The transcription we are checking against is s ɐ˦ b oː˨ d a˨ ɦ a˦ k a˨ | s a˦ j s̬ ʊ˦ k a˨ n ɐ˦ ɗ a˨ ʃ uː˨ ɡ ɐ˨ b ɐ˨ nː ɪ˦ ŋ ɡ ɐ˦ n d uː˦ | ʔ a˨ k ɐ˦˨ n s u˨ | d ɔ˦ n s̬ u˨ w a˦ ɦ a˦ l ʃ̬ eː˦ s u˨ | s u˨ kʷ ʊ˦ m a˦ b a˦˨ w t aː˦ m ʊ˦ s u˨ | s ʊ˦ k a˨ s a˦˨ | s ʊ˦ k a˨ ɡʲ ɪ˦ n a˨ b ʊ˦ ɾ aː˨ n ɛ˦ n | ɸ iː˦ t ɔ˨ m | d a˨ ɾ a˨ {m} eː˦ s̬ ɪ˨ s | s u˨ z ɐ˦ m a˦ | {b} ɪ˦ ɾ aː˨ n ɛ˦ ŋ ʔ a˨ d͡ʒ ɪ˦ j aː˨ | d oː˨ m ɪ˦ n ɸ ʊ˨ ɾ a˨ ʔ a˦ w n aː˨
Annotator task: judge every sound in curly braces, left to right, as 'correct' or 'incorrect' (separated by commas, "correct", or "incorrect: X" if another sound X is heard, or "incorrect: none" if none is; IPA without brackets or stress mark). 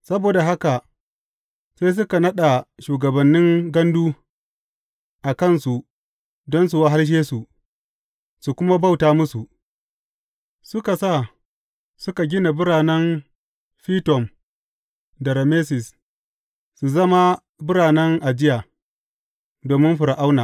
correct, correct